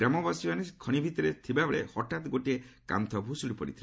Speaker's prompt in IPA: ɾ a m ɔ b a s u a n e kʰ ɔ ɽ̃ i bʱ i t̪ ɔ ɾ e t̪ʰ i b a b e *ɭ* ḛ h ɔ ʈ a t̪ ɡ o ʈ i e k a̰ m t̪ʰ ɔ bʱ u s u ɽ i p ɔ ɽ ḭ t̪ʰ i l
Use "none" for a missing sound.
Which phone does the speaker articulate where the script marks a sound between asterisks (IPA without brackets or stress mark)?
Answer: ɭ